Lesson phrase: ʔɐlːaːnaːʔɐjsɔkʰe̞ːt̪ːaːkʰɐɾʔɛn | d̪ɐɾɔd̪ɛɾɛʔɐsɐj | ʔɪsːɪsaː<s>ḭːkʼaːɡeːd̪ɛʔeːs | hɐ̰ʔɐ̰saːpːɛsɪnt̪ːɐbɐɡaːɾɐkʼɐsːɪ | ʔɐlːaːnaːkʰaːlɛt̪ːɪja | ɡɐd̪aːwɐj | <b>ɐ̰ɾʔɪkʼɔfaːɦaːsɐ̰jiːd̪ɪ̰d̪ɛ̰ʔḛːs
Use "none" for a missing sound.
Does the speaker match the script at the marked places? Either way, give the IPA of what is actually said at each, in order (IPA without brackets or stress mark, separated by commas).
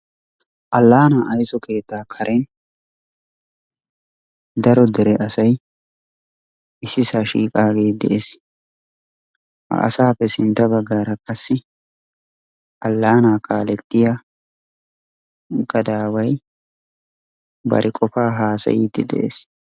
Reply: ʃ, b